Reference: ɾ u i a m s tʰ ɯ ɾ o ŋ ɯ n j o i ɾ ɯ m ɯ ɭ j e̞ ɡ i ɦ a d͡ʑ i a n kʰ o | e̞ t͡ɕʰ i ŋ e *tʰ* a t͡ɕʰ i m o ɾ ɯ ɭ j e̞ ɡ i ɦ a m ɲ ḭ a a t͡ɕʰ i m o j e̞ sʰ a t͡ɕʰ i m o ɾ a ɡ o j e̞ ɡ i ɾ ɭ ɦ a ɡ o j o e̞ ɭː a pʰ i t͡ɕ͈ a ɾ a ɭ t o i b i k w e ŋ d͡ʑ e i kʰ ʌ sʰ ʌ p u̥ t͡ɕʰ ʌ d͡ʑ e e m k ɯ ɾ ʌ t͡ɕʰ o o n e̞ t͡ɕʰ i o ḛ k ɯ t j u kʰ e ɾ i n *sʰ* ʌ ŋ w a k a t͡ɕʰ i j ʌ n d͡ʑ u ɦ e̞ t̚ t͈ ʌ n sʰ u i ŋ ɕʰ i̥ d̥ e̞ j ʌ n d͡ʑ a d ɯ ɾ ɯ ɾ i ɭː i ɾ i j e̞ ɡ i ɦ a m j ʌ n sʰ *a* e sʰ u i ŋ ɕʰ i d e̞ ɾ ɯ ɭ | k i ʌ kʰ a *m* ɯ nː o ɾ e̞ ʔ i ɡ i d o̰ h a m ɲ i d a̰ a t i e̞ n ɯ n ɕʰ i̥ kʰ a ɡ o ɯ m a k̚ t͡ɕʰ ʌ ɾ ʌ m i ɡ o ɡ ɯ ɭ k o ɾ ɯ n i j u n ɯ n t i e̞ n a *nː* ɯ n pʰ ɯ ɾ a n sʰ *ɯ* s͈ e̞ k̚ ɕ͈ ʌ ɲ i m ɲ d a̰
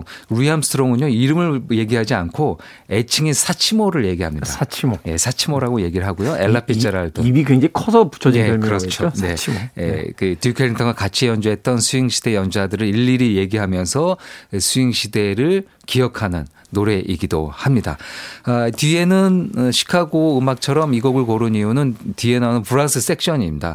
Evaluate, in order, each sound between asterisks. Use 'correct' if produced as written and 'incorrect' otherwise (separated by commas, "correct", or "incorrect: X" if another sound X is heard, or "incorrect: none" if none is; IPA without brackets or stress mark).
incorrect: sʰ, incorrect: tʰ, incorrect: ʌ, incorrect: n, incorrect: n, correct